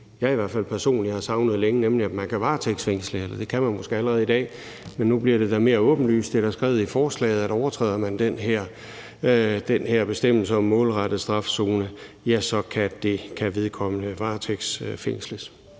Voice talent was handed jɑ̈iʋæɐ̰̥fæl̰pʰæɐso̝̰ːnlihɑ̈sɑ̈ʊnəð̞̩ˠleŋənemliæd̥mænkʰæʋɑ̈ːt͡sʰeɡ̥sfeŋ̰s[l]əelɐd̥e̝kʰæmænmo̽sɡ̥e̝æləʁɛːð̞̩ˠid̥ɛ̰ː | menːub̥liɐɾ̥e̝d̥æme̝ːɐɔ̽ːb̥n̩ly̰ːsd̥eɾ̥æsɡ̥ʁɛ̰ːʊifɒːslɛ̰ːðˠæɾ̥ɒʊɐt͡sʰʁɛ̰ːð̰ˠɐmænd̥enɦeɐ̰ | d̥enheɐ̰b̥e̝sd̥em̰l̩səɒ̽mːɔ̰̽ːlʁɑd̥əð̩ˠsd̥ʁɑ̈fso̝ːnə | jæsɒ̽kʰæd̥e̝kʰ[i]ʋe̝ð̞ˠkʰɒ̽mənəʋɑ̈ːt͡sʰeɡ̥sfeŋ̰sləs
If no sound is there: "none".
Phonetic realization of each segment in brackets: l, æ

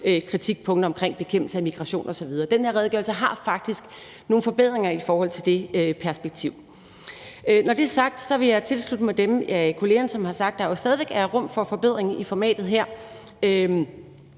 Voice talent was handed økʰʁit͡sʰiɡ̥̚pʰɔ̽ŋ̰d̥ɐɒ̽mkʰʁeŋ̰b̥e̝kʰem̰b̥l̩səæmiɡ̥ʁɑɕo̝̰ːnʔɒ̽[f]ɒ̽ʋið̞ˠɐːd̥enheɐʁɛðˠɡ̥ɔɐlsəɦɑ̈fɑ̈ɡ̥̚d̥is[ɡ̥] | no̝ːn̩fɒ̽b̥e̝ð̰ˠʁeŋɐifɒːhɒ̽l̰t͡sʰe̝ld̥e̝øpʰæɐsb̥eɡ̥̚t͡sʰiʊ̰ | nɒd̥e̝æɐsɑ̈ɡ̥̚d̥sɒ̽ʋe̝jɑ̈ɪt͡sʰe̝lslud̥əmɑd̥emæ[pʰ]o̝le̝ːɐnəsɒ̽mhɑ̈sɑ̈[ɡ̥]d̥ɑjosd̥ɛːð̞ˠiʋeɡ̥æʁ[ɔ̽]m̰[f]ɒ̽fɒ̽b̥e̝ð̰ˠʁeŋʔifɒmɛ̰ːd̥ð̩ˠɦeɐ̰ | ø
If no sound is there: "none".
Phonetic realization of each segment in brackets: s, ɡ̥, kʰ, ɡ̥, ɔ̽, f

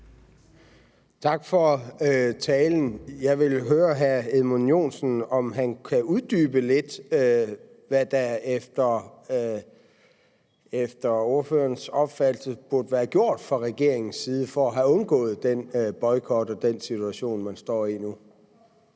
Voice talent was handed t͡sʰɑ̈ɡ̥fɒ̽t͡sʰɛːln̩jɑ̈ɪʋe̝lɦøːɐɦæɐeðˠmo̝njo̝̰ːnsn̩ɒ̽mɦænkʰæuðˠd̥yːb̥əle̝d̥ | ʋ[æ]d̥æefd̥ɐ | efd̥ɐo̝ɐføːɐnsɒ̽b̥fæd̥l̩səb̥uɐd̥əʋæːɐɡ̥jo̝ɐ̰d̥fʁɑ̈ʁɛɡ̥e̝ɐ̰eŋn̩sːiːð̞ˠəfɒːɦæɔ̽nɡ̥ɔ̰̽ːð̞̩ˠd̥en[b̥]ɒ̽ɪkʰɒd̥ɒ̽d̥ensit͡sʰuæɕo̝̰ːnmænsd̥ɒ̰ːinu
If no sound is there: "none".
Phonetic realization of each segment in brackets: æ, b̥

